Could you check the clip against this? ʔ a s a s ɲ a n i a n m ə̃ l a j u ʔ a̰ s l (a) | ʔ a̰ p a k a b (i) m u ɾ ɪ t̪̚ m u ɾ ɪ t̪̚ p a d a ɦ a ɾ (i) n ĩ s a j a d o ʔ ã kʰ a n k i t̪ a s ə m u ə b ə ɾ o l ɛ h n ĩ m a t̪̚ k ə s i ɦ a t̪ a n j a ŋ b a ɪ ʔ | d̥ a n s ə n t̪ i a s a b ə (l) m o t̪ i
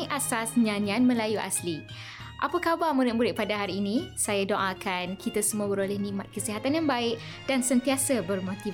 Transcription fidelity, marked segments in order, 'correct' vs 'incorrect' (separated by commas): incorrect, incorrect, incorrect, incorrect